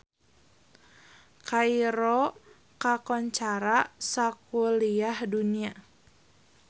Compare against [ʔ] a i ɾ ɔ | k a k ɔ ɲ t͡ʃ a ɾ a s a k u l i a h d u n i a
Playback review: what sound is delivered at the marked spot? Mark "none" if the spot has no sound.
k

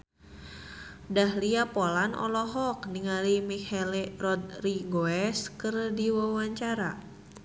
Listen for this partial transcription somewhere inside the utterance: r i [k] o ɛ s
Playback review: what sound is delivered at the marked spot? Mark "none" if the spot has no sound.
ɡ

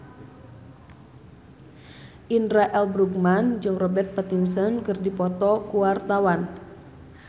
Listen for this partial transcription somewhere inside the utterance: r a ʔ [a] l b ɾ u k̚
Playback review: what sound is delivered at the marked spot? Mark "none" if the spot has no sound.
ɛ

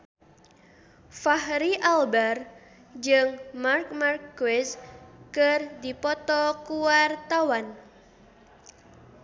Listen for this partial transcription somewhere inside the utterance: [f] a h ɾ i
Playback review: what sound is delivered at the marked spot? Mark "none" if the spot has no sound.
f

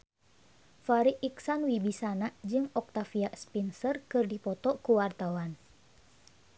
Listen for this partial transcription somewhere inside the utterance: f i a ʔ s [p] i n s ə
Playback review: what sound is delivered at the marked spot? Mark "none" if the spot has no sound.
p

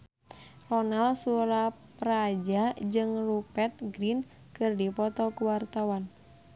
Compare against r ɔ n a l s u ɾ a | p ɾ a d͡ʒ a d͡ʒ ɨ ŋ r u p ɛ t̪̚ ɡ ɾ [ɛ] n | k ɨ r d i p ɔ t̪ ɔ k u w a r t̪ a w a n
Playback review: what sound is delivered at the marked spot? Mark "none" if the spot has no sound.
i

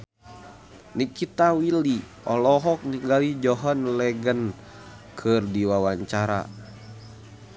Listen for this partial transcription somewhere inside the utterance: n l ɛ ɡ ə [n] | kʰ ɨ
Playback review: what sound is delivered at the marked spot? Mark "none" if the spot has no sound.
n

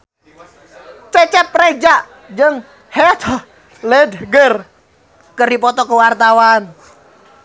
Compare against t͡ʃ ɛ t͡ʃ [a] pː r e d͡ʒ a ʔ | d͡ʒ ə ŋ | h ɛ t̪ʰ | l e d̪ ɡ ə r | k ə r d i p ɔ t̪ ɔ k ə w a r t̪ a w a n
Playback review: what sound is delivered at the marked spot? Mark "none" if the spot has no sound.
ɛ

